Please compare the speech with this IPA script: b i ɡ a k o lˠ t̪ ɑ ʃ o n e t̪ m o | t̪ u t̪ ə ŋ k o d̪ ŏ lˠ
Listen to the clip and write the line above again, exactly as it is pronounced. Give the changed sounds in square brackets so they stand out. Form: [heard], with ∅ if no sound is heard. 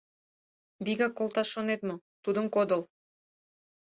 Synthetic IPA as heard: b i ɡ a k o lˠ t̪ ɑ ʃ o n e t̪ m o | t̪ u [d̪] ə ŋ k o d̪ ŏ lˠ